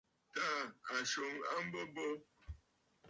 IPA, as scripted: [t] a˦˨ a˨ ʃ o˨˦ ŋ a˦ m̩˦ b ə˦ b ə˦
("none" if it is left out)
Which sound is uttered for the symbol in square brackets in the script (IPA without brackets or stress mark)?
t